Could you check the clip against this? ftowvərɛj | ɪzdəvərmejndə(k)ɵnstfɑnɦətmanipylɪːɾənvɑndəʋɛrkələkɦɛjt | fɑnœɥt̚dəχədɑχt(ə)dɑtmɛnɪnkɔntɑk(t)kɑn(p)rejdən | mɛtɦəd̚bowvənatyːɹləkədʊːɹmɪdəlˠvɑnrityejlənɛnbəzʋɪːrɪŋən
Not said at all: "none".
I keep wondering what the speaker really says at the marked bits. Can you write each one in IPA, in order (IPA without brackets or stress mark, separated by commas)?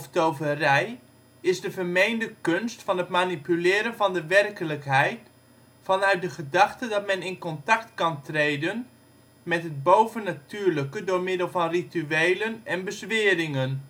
k, ə, t, t